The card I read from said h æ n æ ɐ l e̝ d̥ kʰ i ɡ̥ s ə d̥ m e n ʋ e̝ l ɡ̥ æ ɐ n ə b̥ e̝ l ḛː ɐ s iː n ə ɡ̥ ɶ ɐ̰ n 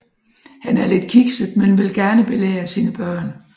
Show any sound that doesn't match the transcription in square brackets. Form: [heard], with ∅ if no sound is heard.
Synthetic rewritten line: h æ n æ ɐ l e̝ d̥ kʰ i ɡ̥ s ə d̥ m e n ʋ e̝ l ɡ̥ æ ɐ n ə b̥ e̝ l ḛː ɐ s iː n ə [b̥] ɶ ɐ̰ n